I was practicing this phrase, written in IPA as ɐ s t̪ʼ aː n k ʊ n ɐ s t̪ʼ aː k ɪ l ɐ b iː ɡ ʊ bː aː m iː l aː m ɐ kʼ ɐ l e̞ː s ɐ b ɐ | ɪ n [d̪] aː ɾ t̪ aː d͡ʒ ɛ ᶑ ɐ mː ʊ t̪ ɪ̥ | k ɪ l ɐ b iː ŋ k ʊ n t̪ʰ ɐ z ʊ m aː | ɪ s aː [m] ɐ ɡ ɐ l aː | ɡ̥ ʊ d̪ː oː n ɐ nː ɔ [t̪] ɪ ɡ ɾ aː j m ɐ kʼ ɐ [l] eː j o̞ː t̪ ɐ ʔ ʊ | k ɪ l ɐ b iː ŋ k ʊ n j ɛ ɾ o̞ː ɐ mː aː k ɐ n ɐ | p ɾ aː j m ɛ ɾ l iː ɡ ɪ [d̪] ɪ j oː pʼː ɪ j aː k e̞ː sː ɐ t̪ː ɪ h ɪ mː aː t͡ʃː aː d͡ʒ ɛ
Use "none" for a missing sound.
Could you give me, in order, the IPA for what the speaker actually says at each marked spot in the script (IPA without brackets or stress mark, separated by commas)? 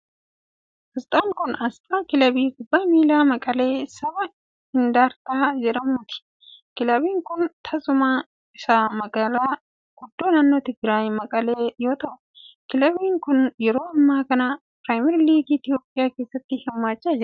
d̪, m, t̪, l, t̪